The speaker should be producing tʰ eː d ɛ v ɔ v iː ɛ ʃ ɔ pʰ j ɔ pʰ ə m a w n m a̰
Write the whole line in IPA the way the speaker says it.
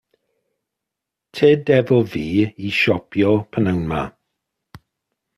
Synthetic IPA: tʰ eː d ɛ v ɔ v iː i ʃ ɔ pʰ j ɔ pʰ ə n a w n m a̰